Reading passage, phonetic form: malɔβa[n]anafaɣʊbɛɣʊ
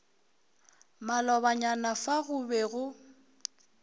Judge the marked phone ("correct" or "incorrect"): incorrect